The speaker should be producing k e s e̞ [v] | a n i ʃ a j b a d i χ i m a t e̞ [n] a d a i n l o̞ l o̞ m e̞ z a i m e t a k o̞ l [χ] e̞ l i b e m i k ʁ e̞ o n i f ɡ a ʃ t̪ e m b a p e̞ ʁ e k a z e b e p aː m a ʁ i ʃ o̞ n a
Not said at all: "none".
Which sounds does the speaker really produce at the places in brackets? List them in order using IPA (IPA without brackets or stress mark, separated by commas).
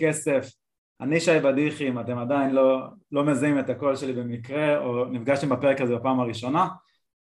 f, m, ʃ